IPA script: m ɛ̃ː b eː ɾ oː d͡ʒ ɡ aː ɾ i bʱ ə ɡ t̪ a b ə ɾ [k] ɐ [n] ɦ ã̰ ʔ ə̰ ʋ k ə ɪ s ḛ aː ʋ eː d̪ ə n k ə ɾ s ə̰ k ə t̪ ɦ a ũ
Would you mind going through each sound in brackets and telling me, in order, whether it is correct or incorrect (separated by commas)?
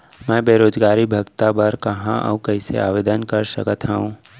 correct, incorrect